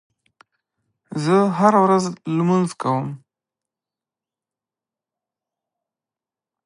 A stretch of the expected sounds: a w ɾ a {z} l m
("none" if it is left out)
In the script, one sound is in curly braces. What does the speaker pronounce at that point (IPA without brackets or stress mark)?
z